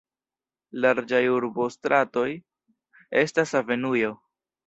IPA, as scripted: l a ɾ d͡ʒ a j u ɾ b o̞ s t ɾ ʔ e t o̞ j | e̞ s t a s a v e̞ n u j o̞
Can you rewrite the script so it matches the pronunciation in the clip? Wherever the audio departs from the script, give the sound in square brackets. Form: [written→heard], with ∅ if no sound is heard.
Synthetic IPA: l a ɾ d͡ʒ a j u ɾ b o̞ s t ɾ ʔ [e→a] t o̞ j | e̞ s t a s a v e̞ n u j o̞